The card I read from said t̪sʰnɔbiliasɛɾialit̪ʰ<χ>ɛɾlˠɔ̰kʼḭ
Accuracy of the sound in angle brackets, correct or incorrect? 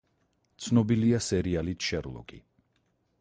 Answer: incorrect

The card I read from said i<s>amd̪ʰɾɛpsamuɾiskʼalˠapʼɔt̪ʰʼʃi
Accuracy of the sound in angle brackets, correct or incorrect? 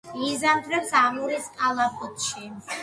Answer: incorrect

